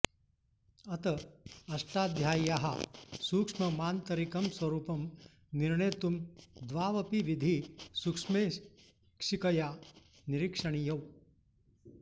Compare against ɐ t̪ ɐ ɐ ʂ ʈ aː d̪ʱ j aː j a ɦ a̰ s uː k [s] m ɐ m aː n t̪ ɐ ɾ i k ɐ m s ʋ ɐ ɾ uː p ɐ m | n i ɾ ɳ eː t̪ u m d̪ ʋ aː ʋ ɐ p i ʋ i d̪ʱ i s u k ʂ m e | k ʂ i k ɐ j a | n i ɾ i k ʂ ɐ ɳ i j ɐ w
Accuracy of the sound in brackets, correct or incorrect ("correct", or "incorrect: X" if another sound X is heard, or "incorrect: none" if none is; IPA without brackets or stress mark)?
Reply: incorrect: ʂ